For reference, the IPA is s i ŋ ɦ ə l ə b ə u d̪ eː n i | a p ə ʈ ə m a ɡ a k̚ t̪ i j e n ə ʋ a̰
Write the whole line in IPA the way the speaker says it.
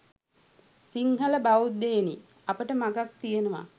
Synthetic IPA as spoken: s i ŋ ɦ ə l ə b a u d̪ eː n i | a p ə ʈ ə m a ɡ a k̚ t̪ i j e n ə ʋ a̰

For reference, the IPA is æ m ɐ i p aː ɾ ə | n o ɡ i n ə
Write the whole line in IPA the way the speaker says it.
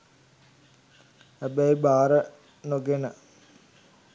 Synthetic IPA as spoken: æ b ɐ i b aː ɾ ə | n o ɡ e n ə

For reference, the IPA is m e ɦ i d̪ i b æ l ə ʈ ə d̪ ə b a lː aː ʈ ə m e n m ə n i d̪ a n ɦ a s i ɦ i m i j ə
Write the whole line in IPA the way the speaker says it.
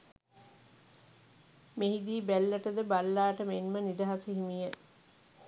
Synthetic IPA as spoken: m e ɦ i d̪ iː b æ lː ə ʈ ə d̪ ə b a lː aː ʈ ə m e n m ə n i d̪ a ɦ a s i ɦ i m i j ə

